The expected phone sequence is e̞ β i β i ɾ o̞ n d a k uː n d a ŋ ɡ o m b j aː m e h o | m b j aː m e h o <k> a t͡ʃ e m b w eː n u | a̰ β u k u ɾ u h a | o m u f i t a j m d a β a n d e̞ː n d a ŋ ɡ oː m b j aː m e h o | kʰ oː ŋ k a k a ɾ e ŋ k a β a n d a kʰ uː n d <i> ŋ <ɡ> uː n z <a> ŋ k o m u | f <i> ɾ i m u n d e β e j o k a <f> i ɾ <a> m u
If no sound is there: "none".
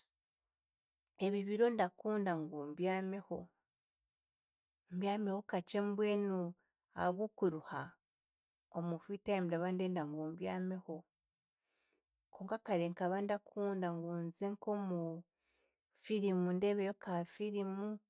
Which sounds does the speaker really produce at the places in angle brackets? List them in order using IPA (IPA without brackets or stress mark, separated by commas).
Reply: k, a, ɡ, e, i, f, i